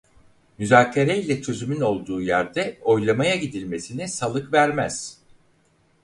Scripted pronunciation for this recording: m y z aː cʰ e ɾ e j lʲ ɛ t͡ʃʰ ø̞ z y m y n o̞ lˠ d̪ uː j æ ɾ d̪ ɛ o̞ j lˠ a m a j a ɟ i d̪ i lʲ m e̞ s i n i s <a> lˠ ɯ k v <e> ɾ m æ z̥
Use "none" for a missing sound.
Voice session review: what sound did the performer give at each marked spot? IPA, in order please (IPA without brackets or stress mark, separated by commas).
a, æ